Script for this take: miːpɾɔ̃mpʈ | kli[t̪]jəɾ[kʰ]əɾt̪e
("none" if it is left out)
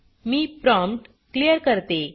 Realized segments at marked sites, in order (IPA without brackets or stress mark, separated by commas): none, k